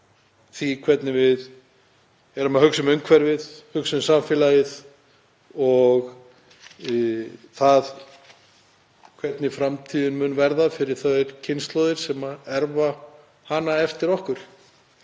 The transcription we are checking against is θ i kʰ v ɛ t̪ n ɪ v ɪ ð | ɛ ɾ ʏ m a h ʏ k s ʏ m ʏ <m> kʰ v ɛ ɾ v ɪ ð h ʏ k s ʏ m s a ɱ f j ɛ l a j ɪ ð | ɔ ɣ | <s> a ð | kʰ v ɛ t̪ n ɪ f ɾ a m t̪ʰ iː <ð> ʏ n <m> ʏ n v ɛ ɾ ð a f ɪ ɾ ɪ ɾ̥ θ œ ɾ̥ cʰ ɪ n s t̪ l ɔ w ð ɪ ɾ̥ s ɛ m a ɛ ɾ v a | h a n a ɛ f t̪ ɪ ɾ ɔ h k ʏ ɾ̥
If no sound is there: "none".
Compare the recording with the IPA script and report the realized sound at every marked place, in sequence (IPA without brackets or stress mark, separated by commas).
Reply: ŋ, θ, ð, m